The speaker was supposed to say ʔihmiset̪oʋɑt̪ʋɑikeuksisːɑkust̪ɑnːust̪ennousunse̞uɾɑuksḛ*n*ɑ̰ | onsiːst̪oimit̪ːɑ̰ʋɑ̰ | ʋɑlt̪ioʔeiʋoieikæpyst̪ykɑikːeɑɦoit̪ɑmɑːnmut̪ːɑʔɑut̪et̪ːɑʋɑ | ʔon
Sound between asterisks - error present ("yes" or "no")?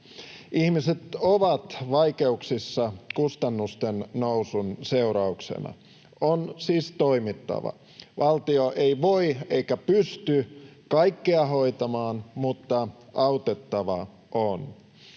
no